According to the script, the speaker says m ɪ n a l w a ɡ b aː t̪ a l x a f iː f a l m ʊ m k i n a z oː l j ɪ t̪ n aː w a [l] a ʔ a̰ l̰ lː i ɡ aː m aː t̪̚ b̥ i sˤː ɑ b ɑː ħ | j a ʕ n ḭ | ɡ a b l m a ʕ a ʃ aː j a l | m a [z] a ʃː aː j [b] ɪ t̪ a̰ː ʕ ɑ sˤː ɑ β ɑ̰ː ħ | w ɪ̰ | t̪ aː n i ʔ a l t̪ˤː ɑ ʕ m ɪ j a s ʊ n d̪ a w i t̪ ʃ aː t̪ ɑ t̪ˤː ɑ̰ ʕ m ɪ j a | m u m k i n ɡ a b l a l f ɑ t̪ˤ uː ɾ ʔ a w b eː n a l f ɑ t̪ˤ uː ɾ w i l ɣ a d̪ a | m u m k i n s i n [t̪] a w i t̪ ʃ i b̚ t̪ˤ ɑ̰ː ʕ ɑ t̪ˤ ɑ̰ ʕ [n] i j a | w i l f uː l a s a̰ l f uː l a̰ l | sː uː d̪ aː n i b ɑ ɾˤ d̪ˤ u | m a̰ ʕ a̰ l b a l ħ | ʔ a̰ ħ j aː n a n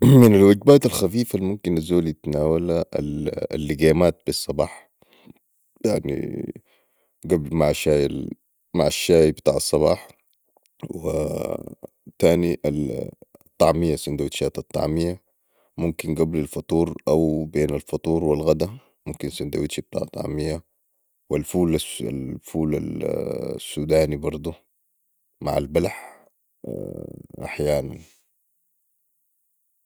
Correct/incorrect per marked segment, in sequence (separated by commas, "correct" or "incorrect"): correct, incorrect, correct, incorrect, incorrect